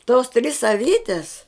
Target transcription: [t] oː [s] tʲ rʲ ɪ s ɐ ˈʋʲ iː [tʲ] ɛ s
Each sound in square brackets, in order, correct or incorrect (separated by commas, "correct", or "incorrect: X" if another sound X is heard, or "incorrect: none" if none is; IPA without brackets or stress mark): correct, correct, correct